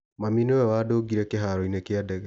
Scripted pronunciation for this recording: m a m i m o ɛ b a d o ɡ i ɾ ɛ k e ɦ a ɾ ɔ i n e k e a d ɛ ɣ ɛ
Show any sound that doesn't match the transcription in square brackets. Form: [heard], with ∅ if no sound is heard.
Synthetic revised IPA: m a m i [n] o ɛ [w] a d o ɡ i ɾ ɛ k e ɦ a ɾ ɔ i n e k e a d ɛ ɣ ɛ

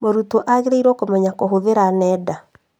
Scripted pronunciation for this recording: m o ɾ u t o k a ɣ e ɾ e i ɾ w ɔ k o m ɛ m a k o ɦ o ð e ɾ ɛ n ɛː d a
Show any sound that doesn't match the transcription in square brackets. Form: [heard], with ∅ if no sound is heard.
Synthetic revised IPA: m o ɾ u t o [ʔ] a ɣ e ɾ e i ɾ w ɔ k o m ɛ [ɲ] a k o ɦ o ð e ɾ [a] n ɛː d a

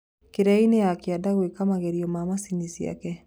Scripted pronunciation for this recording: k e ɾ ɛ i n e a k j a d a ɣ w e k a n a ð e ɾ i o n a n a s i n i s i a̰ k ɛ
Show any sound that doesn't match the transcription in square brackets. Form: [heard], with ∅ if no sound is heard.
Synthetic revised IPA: k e ɾ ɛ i n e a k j a d a ɣ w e k a [m] a [ɣ] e ɾ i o [m] a [m] a s i n i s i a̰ k ɛ

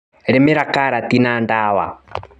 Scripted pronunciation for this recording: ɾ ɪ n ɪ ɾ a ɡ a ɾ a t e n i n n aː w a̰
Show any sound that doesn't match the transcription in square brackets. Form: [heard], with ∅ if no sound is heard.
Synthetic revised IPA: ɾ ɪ [m] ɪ ɾ a [k] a ɾ a t [i] n [a] n [d] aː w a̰

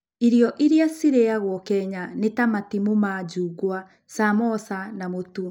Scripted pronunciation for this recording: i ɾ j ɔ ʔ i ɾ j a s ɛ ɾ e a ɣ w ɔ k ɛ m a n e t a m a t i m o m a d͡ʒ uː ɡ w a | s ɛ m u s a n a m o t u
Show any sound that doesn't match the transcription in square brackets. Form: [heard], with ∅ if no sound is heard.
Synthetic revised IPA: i ɾ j ɔ ʔ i ɾ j a s [i] ɾ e a ɣ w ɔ k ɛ [ɲ] a n e t a m a t i m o m a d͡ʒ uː ɡ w a | s [a] m [ɔ] s a n a m o t u

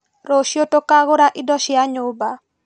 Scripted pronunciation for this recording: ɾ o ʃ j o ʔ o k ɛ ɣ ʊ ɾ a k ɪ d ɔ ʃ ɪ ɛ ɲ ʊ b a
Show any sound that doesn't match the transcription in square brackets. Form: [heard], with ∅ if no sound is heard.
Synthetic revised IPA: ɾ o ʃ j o [t] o k [a] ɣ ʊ ɾ a [ʔ] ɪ d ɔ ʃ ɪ [a] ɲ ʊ b a

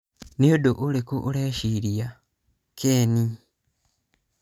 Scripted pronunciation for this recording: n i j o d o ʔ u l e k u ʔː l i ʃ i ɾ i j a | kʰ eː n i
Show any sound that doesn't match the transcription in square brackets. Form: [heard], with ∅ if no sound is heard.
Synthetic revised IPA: n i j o d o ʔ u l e k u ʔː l [e] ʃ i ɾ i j a | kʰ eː n i

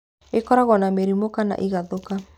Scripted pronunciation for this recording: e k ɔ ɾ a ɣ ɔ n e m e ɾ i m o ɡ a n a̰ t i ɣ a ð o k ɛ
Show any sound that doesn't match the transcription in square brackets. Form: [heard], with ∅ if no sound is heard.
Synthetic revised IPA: e k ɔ ɾ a ɣ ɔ n [a] m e ɾ i m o [k] a n a̰ [ʔ] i ɣ a ð o k [a]

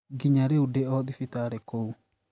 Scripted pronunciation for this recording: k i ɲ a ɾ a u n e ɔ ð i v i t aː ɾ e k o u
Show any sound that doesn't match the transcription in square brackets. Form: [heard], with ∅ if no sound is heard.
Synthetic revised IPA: [ɡ] i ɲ a ɾ [e] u [d] e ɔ ð i [f] i t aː ɾ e k o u

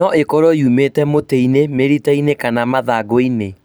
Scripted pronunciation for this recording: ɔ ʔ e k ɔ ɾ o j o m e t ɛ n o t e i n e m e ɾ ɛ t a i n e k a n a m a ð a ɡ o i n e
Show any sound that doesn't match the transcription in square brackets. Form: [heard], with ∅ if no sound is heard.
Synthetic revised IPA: ɔ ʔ e k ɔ ɾ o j [u] m e t ɛ [m] o t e i n e m e ɾ [i] t a i n e k a n a m a ð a ɡ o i n e

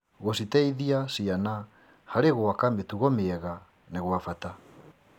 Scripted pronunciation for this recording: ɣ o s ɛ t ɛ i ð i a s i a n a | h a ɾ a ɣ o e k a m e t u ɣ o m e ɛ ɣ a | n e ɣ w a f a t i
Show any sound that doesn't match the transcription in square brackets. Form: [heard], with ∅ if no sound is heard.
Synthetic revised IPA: ɣ o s [i] t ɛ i ð i a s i a n a | h a ɾ [e] ɣ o [a] k a m e t u ɣ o m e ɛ ɣ a | n e ɣ w a f a t [a]

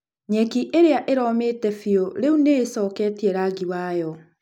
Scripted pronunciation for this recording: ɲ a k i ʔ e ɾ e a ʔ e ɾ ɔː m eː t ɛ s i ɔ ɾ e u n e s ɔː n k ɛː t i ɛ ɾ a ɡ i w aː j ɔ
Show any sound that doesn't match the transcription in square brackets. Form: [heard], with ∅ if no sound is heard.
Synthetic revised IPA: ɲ [ɛ] k i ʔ e ɾ e a ʔ e ɾ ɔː m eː t ɛ [f] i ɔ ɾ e u n e s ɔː [∅] k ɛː t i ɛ ɾ a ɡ i w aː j ɔ

